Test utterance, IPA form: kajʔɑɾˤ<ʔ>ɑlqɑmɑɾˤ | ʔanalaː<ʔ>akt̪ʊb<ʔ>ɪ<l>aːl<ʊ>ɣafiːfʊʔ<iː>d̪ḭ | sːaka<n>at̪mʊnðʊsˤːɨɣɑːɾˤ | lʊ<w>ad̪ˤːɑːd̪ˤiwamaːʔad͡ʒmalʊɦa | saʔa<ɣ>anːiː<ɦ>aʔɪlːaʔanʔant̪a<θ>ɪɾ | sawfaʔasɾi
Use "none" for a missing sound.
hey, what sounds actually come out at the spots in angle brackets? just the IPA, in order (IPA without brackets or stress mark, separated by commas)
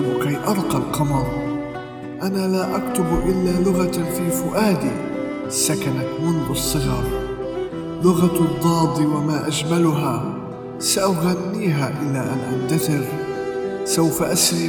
q, ʔ, ʔ, lː, ʊ, aː, n, ɣ, ɣ, ɦ, θ